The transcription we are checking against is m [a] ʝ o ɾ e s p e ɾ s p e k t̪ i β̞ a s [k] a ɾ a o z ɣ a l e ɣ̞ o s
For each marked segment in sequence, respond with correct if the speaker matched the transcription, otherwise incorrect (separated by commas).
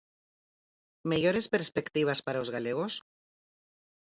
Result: incorrect, incorrect